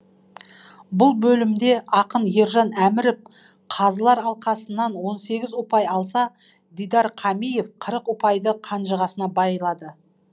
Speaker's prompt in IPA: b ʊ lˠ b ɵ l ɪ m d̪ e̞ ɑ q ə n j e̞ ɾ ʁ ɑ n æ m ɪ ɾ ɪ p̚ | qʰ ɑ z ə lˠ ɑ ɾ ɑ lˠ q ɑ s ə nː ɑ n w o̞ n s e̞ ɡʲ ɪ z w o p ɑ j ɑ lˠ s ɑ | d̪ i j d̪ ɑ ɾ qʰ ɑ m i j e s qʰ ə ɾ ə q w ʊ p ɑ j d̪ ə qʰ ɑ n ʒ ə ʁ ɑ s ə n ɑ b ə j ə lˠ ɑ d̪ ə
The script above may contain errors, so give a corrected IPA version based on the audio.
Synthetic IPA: b ʊ lˠ b ɵ l ɪ m d̪ e̞ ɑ q ə n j e̞ ɾ ʒ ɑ n æ m ɪ ɾ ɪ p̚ | qʰ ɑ z ə lˠ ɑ ɾ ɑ lˠ q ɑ s ə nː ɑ n w o̞ n s e̞ ɡʲ ɪ z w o p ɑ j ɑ lˠ s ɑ | d̪ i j d̪ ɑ ɾ qʰ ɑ m i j e f qʰ ə ɾ ə q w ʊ p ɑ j d̪ ə qʰ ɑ n ʒ ə ʁ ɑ s ə n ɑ b ɑ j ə lˠ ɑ d̪ ə